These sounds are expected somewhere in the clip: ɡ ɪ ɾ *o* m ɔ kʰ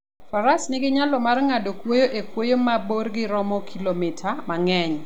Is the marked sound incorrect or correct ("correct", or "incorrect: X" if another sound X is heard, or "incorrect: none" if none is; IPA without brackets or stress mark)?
incorrect: ɔ